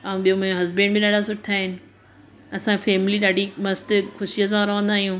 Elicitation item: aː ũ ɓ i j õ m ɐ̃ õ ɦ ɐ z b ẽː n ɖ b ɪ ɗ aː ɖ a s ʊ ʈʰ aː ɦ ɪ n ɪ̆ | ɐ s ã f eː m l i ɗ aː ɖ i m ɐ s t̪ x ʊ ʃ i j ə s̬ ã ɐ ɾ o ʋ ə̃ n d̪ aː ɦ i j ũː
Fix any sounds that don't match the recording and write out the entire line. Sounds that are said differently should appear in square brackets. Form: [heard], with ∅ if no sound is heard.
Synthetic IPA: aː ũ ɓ i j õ m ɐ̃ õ ɦ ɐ z b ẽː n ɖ b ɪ ɗ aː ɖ a s ʊ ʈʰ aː ɦ ɪ n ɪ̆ | ɐ s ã f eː m l i ɗ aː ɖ i m ɐ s t̪ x ʊ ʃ i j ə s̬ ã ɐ ɾ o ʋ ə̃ n d̪ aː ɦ i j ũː